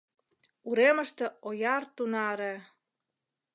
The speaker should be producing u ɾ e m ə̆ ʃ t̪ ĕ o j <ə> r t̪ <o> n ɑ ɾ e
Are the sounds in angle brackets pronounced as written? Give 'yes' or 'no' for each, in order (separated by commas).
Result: no, no